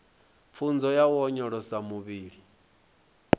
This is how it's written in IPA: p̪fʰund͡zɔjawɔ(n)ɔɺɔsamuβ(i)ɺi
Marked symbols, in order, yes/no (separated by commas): no, no